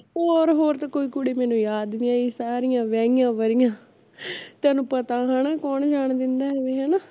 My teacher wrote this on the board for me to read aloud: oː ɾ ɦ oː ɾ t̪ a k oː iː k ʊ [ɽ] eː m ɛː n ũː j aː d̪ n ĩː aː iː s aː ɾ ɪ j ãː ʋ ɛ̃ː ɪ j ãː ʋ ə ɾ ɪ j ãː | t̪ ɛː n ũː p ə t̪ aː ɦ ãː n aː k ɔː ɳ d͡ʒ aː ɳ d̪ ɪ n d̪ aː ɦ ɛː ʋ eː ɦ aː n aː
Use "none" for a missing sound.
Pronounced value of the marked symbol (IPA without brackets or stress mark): ɽ